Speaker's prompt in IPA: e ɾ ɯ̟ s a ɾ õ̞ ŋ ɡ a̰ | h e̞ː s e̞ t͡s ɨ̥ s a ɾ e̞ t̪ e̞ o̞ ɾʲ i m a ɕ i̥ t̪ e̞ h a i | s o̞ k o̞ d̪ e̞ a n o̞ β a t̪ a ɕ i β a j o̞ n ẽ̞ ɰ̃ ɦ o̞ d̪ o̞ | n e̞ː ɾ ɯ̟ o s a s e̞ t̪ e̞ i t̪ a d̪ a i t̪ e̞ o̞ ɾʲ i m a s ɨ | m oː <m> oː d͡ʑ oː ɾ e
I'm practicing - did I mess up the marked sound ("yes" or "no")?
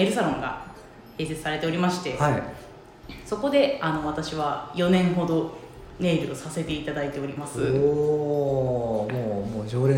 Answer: no